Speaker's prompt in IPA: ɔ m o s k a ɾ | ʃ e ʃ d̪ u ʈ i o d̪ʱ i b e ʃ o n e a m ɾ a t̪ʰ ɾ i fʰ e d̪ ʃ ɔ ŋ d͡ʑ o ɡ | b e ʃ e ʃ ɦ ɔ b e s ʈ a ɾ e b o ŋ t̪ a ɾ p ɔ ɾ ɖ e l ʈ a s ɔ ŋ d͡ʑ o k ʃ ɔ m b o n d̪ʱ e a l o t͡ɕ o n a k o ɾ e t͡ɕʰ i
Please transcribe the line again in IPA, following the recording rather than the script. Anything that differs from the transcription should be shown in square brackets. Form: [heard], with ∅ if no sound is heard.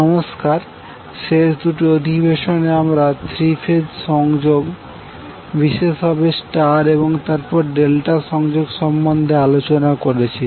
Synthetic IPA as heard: ɔ m o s k a ɾ | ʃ e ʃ d̪ u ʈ i o d̪ʱ i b e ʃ o n e a m ɾ a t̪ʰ ɾ i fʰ e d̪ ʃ ɔ ŋ d͡ʑ o ɡ | b [i] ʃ e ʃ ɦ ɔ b e s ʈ a ɾ e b o ŋ t̪ a ɾ p ɔ ɾ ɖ e l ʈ a [ʃ] ɔ ŋ d͡ʑ o [ɡ] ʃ ɔ m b o n d̪ʱ e a l o t͡ɕ o n a k o ɾ e t͡ɕʰ i

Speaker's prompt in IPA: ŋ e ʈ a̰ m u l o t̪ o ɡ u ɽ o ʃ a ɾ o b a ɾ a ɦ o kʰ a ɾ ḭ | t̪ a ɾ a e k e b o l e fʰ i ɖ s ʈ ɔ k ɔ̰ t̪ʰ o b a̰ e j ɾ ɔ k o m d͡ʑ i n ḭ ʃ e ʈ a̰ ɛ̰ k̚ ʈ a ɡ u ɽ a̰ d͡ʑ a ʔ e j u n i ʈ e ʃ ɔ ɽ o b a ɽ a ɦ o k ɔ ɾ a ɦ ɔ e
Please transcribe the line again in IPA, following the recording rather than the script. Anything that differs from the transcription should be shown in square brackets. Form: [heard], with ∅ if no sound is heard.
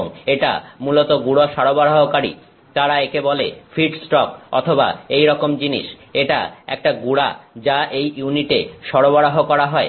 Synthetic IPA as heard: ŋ e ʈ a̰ m u l o t̪ o ɡ u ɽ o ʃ a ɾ o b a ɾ a ɦ o [k] a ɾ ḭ | t̪ a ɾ a e k e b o l e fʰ i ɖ s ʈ ɔ k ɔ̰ t̪ʰ o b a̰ e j ɾ ɔ k o m d͡ʑ i n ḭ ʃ e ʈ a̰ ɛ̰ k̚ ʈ a ɡ u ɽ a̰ d͡ʑ a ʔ e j u n i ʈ e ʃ ɔ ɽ o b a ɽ a ɦ o k ɔ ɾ a ɦ ɔ e

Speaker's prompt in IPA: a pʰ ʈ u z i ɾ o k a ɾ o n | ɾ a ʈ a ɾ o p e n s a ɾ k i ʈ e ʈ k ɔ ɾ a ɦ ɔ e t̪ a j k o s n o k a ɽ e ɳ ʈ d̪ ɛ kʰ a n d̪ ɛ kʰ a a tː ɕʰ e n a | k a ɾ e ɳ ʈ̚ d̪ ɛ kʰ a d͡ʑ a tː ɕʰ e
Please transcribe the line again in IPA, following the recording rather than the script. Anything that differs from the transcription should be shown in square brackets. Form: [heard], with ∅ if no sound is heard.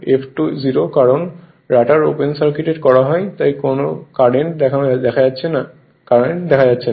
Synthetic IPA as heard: [e] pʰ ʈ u z i ɾ o k a ɾ o n | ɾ a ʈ a ɾ o p e n s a ɾ k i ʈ e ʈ k ɔ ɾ a ɦ ɔ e t̪ a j k o [∅] n o k a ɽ e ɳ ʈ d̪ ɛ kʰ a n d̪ ɛ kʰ a a tː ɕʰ e n a | k a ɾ e ɳ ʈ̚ d̪ ɛ kʰ a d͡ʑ a tː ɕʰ e

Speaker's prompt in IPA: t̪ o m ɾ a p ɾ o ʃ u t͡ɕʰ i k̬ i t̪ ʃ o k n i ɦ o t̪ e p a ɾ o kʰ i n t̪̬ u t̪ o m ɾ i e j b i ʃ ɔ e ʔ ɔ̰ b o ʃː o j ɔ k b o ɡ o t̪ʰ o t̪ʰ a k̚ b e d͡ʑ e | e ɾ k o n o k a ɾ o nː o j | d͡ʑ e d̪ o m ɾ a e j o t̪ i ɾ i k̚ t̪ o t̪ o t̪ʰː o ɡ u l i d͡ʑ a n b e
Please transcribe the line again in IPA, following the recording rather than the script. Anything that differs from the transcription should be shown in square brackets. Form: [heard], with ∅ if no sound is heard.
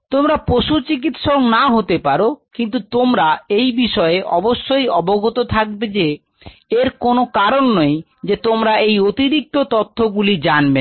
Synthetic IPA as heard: t̪ o m ɾ a p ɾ o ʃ u [t͡ɕ] i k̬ i t̪ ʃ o k n [a] ɦ o t̪ e p a ɾ o [k] i n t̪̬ u t̪ o m ɾ [a] e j b i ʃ ɔ e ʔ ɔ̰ b o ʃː o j ɔ [∅] b o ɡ o [t̪] o t̪ʰ a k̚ b e d͡ʑ e | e ɾ k o n o k a ɾ o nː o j | d͡ʑ e [t̪] o m ɾ a e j o t̪ i ɾ i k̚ t̪ o t̪ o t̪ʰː o ɡ u l i d͡ʑ a n b e

